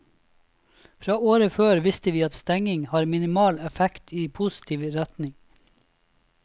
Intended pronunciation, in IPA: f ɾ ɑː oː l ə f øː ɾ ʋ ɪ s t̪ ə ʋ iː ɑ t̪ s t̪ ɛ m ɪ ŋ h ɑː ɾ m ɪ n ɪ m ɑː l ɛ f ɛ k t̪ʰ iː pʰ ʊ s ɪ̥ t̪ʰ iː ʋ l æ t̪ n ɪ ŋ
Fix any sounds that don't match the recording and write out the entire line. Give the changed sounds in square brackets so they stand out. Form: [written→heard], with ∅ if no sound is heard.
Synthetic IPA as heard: f ɾ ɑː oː [l→ɾ] ə f øː ɾ ʋ ɪ s t̪ ə ʋ iː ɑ t̪ s t̪ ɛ [m→ŋ] ɪ ŋ h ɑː ɾ m ɪ n ɪ m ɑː l ɛ f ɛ k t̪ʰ iː pʰ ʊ s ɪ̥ t̪ʰ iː ʋ [l→ɾ] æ t̪ n ɪ ŋ

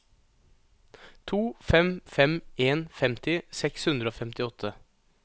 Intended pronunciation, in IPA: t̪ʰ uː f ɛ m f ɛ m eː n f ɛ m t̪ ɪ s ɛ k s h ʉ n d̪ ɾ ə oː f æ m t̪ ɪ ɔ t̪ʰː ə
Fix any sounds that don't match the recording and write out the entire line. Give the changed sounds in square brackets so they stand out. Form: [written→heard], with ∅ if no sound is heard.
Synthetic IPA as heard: t̪ʰ uː f ɛ m f ɛ m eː n f ɛ m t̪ ɪ s ɛ k s h ʉ n d̪ ɾ ə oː f [æ→ɛ] m t̪ ɪ ɔ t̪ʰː ə

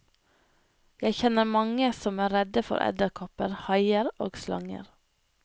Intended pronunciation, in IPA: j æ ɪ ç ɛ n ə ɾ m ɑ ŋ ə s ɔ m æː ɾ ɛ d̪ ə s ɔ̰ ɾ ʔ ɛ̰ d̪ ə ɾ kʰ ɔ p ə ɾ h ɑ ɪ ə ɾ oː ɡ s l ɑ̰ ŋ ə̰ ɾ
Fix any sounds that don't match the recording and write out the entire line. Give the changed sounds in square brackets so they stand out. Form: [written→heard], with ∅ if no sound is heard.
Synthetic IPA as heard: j æ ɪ ç ɛ n ə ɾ m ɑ ŋ ə s ɔ m æː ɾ ɛ d̪ ə [s→f] ɔ̰ ɾ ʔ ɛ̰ d̪ ə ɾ kʰ ɔ p ə ɾ h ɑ ɪ ə ɾ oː ɡ s l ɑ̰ ŋ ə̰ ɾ

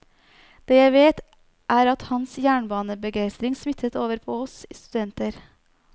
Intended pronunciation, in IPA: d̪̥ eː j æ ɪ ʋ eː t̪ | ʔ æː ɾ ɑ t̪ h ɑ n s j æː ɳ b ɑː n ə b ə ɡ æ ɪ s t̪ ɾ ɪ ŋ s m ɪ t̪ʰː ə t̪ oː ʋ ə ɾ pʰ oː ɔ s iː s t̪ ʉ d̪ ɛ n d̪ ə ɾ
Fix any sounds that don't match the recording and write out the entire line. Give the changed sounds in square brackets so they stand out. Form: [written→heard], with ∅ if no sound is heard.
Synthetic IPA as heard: d̪̥ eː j æ ɪ ʋ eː t̪ | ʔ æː ɾ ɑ t̪ h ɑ n s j æː ɳ b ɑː n ə b ə ɡ æ ɪ s t̪ ɾ ɪ ŋ s m ɪ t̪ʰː ə t̪ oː ʋ ə ɾ pʰ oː ɔ s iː s t̪ ʉ d̪ ɛ n [d̪→t̪] ə ɾ

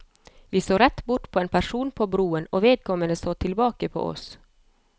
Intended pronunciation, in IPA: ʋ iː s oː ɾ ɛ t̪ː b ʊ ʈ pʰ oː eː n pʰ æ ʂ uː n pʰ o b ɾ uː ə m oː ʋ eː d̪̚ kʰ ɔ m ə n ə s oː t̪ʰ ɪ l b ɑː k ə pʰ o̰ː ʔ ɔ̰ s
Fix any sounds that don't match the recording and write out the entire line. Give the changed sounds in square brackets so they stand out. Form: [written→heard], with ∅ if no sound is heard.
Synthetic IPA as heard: ʋ iː s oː ɾ ɛ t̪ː b ʊ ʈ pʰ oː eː n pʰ æ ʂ uː n pʰ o b ɾ uː ə [m→n] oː ʋ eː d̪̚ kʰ ɔ m ə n ə s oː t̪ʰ ɪ l b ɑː k ə pʰ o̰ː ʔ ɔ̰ s

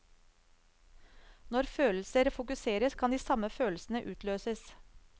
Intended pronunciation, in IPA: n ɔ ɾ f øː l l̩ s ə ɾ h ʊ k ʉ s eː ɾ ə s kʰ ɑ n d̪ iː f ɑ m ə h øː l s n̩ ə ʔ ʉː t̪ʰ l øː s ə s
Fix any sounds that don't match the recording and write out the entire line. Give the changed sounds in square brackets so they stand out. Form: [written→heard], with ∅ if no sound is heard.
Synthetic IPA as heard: n ɔ ɾ f øː l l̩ s ə ɾ [h→f] ʊ k ʉ s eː ɾ ə s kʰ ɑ n d̪ iː [f→s] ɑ m ə [h→f] øː l s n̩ ə ʔ ʉː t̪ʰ l øː s ə s

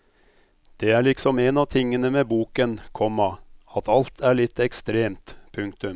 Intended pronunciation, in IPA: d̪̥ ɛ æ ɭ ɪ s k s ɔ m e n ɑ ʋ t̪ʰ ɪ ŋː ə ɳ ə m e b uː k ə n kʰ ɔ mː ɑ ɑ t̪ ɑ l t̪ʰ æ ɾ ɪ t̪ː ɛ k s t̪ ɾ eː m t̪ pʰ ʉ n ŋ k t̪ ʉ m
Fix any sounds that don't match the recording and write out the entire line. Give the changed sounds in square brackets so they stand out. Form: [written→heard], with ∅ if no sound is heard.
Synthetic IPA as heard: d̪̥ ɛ æ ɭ ɪ [s→∅] k s ɔ m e n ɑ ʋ t̪ʰ ɪ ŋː ə [ɳ→n] ə m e b uː k ə n kʰ ɔ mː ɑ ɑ t̪ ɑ l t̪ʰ æ [ɾ→ɭ] ɪ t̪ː ɛ k s t̪ ɾ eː m t̪ pʰ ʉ [n→∅] ŋ k t̪ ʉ m

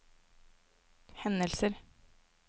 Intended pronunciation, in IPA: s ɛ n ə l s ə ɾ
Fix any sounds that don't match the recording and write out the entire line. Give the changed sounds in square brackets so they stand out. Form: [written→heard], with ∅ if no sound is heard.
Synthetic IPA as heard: [s→h] ɛ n ə l s ə ɾ

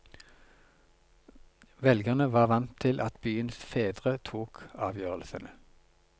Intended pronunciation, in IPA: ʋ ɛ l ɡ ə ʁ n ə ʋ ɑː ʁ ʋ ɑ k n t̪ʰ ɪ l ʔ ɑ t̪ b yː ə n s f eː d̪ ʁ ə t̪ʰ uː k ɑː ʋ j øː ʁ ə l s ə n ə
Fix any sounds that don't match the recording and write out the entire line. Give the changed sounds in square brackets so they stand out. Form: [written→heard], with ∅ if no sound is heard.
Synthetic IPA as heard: ʋ ɛ l ɡ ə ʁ n ə ʋ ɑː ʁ ʋ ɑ [k→∅] n t̪ʰ ɪ l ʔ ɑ t̪ b yː ə n s f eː d̪ ʁ ə t̪ʰ uː k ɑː ʋ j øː ʁ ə l s ə n ə

